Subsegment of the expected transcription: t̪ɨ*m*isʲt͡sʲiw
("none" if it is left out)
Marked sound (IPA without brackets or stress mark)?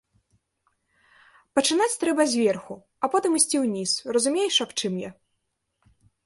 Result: m